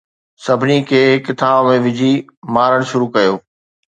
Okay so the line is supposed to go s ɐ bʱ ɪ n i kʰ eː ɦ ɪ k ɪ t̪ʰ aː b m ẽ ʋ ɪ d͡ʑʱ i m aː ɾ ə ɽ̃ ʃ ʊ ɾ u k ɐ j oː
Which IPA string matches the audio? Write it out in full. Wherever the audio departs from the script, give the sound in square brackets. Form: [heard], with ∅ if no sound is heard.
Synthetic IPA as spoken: s ɐ bʱ ɪ n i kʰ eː ɦ ɪ k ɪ t̪ʰ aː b m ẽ ʋ ɪ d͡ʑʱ i m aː ɾ ə ɽ̃ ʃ ʊ ɾ u k ɐ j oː

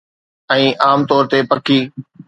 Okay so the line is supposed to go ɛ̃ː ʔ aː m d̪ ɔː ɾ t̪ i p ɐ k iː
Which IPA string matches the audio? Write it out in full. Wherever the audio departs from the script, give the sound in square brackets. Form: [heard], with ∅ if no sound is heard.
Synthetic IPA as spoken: ɛ̃ː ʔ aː m [t̪] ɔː ɾ t̪ [e] p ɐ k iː

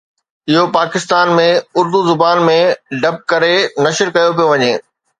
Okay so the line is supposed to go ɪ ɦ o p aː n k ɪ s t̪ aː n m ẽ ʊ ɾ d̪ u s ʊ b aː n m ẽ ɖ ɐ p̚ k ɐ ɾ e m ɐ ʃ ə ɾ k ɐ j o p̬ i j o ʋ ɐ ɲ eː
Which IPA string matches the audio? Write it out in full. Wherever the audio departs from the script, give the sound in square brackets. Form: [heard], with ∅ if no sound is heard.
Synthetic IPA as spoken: ɪ ɦ o p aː [∅] k ɪ s t̪ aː n m ẽ ʊ ɾ d̪ u [z] ʊ b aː n m ẽ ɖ ɐ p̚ k ɐ ɾ e [n] ɐ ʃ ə ɾ k ɐ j o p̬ i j o ʋ ɐ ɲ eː

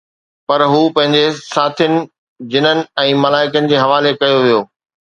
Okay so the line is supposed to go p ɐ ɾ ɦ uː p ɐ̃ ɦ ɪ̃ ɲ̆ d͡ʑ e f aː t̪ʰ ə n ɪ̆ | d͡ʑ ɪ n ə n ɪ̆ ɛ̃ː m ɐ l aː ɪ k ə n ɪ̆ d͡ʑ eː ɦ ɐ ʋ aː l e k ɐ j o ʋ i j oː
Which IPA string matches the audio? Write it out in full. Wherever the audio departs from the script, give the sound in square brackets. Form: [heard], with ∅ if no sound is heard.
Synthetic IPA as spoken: p ɐ ɾ ɦ uː p ɐ̃ ɦ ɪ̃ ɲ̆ d͡ʑ e [s] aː t̪ʰ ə n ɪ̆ | d͡ʑ ɪ n ə n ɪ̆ ɛ̃ː m ɐ l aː ɪ k ə n ɪ̆ d͡ʑ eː ɦ ɐ ʋ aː l e k ɐ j o ʋ i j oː

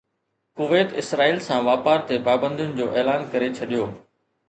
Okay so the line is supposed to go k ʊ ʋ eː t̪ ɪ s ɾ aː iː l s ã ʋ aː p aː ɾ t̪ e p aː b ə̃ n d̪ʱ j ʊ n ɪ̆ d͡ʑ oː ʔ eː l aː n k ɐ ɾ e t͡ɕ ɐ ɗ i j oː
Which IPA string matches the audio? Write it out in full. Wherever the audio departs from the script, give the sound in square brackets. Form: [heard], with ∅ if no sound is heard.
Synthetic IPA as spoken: k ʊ ʋ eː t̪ ɪ s ɾ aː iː l s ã ʋ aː p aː ɾ t̪ e p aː b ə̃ n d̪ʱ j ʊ n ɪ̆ d͡ʑ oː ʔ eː l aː n k ɐ ɾ e [t͡ɕʰ] ɐ ɗ i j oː

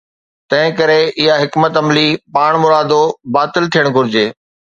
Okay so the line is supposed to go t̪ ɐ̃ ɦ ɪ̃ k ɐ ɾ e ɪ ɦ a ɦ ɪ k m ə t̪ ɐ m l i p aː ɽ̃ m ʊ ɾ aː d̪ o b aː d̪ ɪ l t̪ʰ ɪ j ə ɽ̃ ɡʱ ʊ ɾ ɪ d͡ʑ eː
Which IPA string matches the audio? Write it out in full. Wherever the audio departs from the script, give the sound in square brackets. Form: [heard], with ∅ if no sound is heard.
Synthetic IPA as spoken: t̪ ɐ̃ ɦ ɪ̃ k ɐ ɾ e ɪ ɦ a ɦ ɪ k m ə t̪ ɐ m l i p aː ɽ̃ m ʊ ɾ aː d̪ o b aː [t̪] ɪ l t̪ʰ [i] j ə ɽ̃ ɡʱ ʊ ɾ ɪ d͡ʑ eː

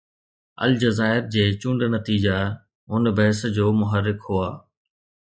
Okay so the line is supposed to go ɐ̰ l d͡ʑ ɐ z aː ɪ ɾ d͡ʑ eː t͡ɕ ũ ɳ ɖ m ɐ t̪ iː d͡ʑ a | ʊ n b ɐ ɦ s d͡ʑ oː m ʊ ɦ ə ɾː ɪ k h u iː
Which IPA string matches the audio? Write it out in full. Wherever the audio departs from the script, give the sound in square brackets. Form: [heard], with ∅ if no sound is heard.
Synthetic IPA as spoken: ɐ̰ l d͡ʑ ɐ z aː ɪ ɾ d͡ʑ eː t͡ɕ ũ ɳ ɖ [n] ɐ t̪ iː d͡ʑ a | ʊ n b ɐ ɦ s d͡ʑ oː m ʊ ɦ ə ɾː ɪ k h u [aː]

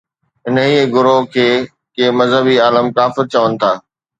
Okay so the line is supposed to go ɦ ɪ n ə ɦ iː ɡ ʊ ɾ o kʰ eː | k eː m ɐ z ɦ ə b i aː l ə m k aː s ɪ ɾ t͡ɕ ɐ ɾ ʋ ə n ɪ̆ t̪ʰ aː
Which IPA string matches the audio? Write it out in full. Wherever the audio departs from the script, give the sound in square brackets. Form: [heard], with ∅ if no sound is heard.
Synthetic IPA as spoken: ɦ ɪ n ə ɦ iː ɡ ʊ ɾ o kʰ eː | k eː m ɐ z ɦ ə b i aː l ə m k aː [f] ɪ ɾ t͡ɕ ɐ [∅] ʋ ə n ɪ̆ t̪ʰ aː

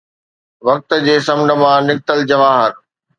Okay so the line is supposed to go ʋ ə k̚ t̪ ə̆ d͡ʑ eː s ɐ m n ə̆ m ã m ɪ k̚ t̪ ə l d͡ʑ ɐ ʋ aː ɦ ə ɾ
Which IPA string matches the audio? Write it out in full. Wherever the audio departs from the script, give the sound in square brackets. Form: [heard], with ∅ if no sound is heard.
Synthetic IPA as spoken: ʋ [ɐ] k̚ t̪ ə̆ d͡ʑ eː s ɐ m n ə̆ m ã [n] ɪ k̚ t̪ ə l d͡ʑ ɐ ʋ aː ɦ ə ɾ

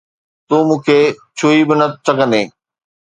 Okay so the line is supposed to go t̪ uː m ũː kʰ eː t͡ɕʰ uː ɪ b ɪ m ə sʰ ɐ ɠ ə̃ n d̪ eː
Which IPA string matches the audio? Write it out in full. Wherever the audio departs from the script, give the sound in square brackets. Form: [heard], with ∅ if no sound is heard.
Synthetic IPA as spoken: t̪ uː m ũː kʰ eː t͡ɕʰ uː [i] b ɪ [n] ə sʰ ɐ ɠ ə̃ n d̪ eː

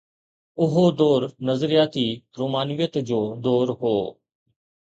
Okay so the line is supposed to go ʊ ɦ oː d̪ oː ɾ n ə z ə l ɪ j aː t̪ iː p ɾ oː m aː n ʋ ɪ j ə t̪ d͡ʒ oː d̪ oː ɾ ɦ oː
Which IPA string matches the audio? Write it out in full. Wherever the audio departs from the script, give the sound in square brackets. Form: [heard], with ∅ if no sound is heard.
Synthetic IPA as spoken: ʊ ɦ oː d̪ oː ɾ n ə z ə [ɾ] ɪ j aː t̪ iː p ɾ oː m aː n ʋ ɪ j ə t̪ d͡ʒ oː d̪ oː ɾ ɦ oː

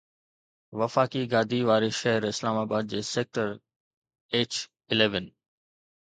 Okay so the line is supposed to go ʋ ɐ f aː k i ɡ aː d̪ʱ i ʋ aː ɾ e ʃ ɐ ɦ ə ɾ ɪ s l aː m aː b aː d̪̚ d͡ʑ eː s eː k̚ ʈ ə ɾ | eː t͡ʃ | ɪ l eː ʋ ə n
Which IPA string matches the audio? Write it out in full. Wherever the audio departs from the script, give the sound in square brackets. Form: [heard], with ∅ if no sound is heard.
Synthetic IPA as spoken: ʋ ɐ f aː k i ɡ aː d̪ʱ i ʋ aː ɾ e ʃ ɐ ɦ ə ɾ ɪ s l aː m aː b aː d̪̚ d͡ʑ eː s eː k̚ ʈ ə ɾ | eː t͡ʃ | ɪ l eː ʋ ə n

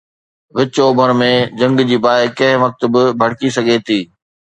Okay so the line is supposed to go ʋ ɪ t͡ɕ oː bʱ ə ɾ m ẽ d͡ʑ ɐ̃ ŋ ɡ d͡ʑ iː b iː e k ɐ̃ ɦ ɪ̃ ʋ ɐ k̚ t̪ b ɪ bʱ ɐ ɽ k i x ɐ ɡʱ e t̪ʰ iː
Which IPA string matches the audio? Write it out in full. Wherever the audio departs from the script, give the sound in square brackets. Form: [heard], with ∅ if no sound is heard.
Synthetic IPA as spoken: ʋ ɪ t͡ɕ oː bʱ ə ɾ m ẽ d͡ʑ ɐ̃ ŋ ɡ d͡ʑ iː b [aː] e k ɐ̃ ɦ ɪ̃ ʋ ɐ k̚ t̪ b ɪ bʱ ɐ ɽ k i [s] ɐ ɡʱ e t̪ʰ iː

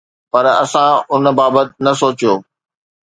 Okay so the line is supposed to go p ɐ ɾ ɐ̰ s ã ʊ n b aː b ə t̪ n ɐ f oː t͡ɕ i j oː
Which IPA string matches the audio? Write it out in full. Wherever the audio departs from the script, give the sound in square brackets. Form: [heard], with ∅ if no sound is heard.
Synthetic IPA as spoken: p ɐ ɾ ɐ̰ s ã ʊ n b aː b ə t̪ n ɐ [s] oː t͡ɕ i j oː

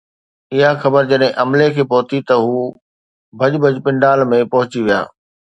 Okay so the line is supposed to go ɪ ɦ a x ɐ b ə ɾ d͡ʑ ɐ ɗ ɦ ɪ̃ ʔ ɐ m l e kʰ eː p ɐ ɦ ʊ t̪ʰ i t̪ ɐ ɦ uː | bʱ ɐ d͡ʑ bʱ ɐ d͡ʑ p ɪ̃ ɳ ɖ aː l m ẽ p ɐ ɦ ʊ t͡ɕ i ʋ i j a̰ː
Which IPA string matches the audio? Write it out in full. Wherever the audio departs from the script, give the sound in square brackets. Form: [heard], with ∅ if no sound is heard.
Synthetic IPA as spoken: ɪ ɦ a x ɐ b ə ɾ d͡ʑ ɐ ɗ ɦ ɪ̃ ʔ ɐ m l e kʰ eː p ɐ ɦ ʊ [t̪] i t̪ ɐ ɦ uː | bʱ ɐ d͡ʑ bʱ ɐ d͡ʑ p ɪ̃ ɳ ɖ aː l m ẽ p ɐ ɦ ʊ t͡ɕ i ʋ i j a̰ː

